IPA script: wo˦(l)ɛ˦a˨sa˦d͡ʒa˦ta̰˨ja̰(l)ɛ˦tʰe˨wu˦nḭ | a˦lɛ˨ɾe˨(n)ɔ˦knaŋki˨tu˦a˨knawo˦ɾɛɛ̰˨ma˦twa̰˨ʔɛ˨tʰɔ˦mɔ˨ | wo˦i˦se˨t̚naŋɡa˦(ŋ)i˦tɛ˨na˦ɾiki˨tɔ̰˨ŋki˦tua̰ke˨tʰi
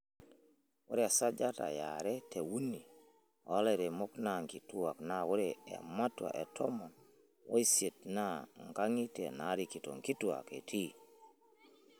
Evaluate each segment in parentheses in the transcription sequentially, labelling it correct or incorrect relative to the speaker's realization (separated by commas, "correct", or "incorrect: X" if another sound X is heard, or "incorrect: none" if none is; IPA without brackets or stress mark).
incorrect: ɾ, incorrect: ɾ, incorrect: m, correct